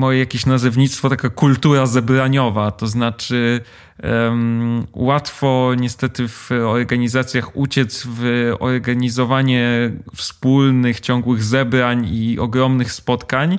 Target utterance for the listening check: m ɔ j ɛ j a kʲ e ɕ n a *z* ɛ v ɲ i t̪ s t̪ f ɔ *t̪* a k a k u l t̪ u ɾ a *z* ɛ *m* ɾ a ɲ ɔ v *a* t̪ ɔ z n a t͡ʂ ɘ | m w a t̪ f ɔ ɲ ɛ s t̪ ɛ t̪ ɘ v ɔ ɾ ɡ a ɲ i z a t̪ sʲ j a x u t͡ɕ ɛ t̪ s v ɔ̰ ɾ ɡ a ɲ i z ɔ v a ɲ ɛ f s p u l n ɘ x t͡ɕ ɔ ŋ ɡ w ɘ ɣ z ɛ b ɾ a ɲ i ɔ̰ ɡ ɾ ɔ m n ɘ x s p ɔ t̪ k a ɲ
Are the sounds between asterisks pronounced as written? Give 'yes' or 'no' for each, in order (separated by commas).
yes, yes, yes, no, yes